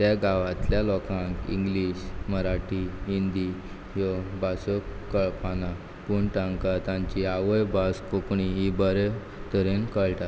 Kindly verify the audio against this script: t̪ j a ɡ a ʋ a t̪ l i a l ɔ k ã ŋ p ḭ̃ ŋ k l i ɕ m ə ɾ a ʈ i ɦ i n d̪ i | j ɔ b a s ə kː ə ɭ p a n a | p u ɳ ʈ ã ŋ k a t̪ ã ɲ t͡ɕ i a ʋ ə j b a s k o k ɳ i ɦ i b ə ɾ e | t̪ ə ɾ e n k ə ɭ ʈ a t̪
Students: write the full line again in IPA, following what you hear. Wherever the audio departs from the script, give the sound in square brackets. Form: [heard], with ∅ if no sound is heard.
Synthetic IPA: t̪ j a ɡ a ʋ a t̪ l [j] a l ɔ k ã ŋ [k] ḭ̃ ŋ [ɡ] l i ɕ m ə ɾ a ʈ i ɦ i n d̪ i | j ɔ b a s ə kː ə ɭ p a n a | p u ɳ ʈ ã ŋ k a t̪ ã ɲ t͡ɕ i a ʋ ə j b a s k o k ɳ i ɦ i b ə ɾ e | t̪ ə ɾ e n k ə ɭ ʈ a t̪